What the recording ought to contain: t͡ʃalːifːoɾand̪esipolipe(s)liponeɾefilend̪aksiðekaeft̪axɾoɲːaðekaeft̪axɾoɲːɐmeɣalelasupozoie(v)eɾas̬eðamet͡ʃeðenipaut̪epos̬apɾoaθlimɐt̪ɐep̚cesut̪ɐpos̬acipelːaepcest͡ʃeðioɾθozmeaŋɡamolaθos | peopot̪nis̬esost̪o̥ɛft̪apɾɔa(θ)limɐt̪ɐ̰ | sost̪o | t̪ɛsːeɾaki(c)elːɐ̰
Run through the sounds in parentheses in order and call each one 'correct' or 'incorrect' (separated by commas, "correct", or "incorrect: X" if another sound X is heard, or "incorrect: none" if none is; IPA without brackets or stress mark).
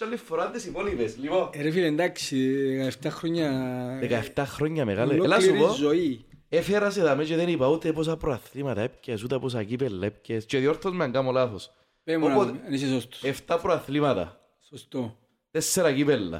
correct, incorrect: f, correct, incorrect: p